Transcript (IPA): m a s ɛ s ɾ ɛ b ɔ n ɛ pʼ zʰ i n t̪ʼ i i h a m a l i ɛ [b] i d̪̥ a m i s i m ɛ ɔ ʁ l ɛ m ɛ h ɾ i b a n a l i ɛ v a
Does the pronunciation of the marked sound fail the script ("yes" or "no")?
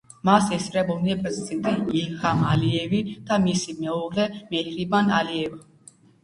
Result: yes